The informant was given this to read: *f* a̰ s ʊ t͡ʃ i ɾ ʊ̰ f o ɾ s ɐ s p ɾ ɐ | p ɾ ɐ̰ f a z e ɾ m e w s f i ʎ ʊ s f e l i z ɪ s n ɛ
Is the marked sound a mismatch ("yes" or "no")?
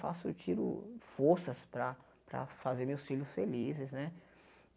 no